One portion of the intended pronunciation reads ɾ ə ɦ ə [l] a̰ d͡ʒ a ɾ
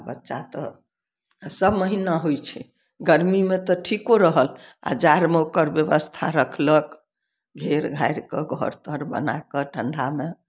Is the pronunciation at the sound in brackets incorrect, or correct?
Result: correct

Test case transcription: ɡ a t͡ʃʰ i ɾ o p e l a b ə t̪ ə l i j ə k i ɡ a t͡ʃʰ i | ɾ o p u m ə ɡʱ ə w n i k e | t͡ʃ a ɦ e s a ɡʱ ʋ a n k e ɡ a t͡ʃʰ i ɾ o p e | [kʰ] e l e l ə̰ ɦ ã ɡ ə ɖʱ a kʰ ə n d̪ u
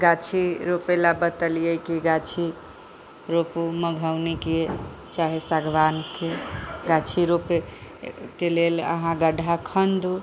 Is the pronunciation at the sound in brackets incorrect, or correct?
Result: incorrect: k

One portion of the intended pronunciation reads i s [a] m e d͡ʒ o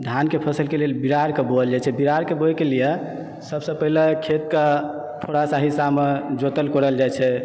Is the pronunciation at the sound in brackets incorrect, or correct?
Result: correct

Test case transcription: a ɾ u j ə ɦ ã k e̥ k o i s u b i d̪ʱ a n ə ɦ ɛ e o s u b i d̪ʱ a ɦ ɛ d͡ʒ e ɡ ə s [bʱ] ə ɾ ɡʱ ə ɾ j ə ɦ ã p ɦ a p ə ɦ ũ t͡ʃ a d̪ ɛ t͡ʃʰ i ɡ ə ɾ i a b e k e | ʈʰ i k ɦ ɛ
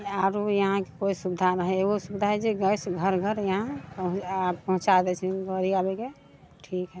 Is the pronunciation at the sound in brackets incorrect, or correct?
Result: incorrect: ɡʱ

